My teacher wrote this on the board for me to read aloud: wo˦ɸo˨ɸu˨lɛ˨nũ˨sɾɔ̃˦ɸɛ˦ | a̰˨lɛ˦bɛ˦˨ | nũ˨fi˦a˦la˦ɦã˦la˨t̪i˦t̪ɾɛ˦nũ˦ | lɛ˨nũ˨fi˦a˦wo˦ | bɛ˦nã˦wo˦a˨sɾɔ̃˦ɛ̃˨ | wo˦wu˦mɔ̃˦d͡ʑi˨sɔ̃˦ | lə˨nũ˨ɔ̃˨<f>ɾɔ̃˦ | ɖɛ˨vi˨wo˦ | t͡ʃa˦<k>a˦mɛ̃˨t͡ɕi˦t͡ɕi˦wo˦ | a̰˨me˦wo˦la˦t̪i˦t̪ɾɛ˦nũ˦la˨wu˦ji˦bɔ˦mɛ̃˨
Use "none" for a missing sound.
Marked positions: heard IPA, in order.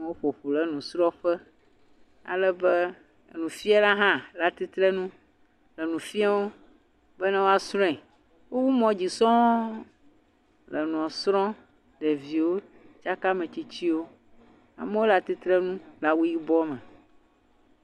s, k

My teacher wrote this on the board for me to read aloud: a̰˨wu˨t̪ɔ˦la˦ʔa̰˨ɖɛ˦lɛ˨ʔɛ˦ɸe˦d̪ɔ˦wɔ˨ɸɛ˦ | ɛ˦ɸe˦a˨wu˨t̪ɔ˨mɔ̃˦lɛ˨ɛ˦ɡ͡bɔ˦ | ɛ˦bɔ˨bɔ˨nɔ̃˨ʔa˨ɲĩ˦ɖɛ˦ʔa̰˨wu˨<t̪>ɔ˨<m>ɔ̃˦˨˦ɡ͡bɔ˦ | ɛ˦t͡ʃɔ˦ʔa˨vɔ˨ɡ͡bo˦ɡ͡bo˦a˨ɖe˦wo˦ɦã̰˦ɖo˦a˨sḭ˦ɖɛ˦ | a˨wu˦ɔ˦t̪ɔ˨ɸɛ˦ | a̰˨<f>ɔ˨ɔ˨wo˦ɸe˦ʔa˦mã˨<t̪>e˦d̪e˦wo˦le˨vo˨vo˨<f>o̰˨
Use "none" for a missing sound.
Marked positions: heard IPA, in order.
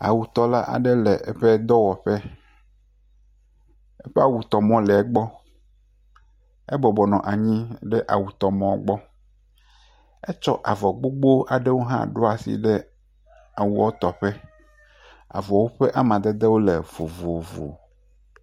t̪, m, v, d̪, v

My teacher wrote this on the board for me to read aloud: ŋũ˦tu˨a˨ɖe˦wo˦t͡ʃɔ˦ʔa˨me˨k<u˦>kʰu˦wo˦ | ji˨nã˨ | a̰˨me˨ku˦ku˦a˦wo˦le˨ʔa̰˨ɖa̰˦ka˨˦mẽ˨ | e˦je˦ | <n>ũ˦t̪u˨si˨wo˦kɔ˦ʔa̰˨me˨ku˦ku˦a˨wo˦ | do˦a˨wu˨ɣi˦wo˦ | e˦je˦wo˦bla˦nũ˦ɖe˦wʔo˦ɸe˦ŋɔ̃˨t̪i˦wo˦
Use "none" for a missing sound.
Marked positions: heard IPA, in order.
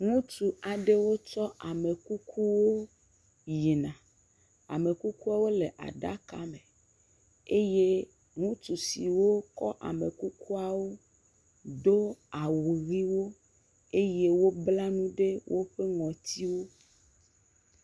u˦, ŋ

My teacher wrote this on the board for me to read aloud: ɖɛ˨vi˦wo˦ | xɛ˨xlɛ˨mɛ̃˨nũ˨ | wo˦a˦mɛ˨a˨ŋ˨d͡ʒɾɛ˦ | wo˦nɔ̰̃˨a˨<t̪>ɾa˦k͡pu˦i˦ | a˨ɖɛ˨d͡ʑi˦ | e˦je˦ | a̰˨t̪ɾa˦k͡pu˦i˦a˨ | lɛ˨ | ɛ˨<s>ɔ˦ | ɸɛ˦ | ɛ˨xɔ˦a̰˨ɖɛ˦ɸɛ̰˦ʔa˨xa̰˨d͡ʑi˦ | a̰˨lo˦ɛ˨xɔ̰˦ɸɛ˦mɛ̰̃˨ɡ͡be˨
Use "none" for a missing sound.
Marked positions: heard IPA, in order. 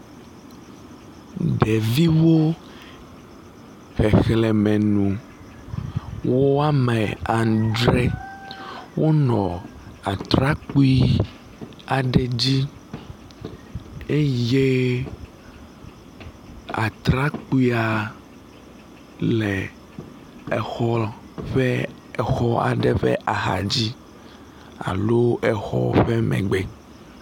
t̪, x

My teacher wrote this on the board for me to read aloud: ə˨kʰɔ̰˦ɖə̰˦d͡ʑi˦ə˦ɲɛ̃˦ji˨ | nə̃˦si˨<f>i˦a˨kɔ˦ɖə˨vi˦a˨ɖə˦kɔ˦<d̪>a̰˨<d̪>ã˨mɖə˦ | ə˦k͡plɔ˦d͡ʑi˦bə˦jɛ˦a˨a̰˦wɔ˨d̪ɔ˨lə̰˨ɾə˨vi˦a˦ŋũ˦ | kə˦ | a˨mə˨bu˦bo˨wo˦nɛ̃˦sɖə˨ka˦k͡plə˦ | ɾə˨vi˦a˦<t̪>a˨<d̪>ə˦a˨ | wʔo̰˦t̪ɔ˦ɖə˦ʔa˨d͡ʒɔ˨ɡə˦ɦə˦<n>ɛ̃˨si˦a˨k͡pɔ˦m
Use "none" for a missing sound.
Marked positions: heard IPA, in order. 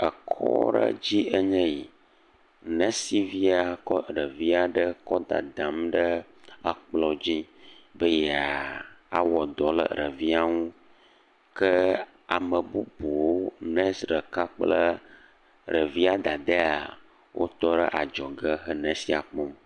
v, d̪, d̪, d̪, d̪, n

